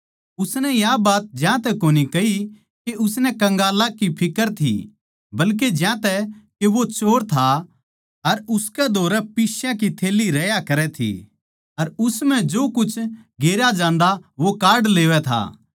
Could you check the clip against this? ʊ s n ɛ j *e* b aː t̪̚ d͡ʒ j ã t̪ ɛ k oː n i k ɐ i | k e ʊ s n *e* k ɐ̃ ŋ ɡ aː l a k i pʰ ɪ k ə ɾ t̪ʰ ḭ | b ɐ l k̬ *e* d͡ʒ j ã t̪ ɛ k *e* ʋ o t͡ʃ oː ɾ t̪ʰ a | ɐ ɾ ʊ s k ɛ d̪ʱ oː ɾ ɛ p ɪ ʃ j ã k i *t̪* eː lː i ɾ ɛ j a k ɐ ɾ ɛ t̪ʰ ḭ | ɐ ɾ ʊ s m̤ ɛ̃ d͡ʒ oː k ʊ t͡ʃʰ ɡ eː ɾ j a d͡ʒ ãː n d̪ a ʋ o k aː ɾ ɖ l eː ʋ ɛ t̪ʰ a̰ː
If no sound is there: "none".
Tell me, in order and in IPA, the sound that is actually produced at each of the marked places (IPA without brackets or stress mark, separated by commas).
a, ɛ, e, e, t̪ʰ